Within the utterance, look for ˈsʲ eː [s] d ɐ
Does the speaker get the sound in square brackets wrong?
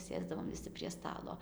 yes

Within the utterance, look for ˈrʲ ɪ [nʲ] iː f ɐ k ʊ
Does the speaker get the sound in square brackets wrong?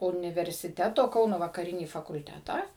no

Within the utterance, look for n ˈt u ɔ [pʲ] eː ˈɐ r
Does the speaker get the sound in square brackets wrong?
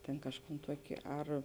yes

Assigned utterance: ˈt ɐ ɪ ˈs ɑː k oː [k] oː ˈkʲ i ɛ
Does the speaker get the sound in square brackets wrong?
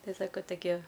yes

